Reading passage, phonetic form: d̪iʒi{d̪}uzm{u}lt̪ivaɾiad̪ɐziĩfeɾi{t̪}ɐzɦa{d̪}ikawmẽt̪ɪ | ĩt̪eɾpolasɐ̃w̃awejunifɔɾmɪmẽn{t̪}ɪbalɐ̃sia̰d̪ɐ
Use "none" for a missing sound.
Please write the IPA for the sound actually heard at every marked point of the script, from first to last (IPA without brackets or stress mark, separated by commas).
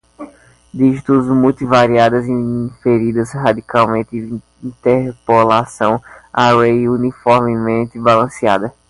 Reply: t̪, u, d̪, d̪, t̪